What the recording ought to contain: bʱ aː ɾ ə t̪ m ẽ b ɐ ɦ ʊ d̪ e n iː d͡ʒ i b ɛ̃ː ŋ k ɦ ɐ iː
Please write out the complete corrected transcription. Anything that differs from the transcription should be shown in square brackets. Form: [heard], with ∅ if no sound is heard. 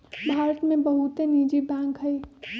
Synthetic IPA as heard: bʱ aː ɾ ə t̪ m ẽ b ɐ ɦ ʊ [t̪] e n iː d͡ʒ i b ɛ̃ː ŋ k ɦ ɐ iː